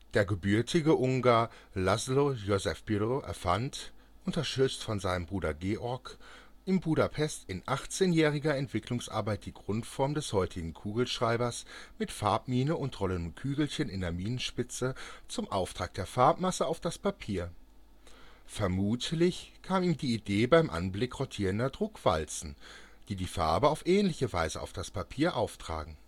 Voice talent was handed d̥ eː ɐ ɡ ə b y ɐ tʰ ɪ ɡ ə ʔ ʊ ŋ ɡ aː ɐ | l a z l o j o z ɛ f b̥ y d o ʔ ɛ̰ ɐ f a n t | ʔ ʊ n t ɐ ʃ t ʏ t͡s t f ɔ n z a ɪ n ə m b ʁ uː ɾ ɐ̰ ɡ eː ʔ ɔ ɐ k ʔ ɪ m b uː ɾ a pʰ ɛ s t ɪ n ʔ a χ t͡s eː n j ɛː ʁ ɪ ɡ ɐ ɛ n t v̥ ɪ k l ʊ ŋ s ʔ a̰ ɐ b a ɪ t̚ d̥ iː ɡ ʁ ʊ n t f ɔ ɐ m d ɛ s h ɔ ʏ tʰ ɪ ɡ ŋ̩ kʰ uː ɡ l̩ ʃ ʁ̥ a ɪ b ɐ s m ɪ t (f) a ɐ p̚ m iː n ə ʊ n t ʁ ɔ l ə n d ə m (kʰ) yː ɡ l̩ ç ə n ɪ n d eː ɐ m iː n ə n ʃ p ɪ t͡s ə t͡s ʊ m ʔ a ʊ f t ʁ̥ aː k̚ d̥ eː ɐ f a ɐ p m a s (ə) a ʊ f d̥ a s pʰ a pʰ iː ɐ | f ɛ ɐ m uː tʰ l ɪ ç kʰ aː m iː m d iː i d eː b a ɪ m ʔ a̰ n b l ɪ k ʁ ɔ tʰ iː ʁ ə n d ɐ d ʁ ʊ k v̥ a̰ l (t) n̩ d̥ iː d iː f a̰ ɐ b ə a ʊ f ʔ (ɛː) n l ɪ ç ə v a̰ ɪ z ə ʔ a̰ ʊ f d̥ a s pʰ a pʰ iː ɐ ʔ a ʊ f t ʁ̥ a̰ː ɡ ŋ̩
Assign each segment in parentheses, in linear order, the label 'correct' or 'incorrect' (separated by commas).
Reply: correct, correct, correct, incorrect, correct